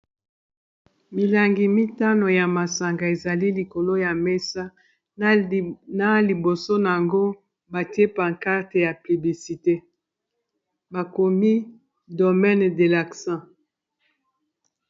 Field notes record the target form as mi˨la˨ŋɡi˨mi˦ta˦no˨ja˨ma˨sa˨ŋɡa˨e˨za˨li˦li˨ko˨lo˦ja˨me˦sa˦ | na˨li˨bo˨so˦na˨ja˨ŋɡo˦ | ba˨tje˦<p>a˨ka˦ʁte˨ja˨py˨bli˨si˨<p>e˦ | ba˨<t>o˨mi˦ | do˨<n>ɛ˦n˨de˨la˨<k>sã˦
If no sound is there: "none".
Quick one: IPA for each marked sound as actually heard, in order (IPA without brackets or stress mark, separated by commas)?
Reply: p, t, k, m, k